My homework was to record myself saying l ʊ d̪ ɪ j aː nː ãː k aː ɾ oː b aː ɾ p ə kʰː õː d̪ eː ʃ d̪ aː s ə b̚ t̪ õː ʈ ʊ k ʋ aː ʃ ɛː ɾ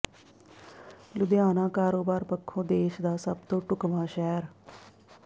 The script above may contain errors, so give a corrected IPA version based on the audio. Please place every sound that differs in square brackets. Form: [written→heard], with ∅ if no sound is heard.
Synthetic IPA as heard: l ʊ d̪ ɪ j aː [nː→n] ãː k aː ɾ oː b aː ɾ p ə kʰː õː d̪ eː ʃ d̪ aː s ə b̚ t̪ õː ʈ ʊ k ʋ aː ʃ ɛː ɾ